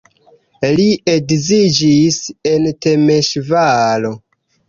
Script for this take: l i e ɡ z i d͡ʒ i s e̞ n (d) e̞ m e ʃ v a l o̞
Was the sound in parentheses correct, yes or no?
no